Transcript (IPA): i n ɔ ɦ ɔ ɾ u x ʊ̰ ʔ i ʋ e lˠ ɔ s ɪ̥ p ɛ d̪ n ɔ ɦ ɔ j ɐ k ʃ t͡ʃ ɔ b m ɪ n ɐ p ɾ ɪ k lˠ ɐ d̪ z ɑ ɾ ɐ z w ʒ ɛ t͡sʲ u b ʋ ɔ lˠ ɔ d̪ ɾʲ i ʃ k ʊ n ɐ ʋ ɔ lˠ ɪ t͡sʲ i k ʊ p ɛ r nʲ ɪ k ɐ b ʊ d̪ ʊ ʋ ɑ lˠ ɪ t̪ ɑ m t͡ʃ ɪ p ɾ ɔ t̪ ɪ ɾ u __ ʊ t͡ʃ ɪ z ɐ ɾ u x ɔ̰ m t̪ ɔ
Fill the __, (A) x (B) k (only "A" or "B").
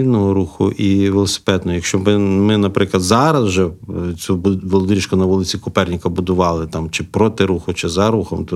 A